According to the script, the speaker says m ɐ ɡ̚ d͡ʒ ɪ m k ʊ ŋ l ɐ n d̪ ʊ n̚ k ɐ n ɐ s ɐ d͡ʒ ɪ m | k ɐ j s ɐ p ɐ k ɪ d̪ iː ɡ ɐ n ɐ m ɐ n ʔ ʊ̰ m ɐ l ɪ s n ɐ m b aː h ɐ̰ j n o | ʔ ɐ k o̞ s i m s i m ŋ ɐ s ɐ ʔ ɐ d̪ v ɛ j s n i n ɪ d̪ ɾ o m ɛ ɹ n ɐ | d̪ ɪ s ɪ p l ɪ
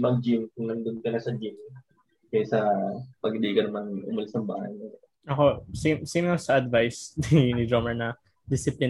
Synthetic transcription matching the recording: m ɐ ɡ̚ d͡ʒ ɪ m k ʊ ŋ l ɐ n d̪ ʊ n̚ k ɐ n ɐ s ɐ d͡ʒ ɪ m | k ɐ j s ɐ p ɐ ɡ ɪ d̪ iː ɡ ɐ n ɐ m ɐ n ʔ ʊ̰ m ɐ l ɪ s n ɐ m b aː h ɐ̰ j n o | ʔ ɐ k o̞ s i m s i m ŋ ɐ s ɐ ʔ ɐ d̪ v a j s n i n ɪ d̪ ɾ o m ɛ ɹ n ɐ | d̪ ɪ s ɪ p l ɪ